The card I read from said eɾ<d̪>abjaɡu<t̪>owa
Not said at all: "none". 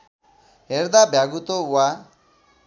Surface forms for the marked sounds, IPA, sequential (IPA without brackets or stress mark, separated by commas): d̪, t̪